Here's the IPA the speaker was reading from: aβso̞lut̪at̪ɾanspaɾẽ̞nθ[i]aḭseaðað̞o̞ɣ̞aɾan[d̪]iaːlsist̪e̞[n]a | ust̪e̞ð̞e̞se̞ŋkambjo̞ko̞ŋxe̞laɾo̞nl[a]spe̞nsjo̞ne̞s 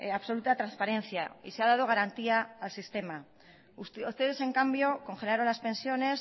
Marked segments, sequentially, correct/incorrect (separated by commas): incorrect, incorrect, incorrect, correct